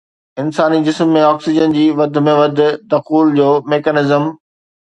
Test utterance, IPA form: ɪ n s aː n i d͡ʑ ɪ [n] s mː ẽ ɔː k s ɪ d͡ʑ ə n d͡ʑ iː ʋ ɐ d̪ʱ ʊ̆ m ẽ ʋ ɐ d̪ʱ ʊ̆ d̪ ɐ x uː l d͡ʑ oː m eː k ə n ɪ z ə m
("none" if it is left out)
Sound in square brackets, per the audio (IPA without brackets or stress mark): none